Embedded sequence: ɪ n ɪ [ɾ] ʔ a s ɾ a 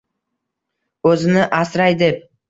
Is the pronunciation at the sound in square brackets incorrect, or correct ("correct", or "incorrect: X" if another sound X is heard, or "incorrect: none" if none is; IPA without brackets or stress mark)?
incorrect: none